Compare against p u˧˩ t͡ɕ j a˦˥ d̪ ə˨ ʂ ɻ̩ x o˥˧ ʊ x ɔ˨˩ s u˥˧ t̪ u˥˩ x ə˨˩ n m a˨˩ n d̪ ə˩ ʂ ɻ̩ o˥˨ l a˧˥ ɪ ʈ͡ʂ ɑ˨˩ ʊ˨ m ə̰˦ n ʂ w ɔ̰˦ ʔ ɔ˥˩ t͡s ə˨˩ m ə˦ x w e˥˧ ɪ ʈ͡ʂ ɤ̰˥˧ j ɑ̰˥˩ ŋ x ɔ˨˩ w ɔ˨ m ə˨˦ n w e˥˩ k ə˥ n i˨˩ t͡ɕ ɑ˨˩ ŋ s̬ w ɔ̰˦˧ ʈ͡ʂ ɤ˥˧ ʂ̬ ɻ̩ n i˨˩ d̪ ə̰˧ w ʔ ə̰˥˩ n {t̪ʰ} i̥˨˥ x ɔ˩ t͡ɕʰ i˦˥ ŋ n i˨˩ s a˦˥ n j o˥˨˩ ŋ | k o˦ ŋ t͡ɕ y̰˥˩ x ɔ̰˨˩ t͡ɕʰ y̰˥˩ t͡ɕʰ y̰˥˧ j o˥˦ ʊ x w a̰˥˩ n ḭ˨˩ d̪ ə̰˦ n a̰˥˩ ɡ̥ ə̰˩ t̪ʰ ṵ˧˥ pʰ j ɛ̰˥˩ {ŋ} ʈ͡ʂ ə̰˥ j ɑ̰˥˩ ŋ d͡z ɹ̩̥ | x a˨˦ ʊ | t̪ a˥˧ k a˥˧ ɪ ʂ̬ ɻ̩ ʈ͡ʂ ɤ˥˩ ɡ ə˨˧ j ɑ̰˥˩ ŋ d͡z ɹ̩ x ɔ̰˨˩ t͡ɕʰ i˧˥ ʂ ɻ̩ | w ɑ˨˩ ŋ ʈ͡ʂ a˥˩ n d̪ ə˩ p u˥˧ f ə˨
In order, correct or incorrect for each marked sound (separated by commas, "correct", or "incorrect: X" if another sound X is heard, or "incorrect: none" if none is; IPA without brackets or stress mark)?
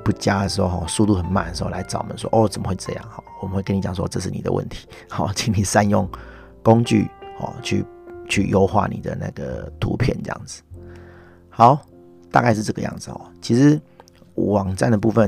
correct, incorrect: n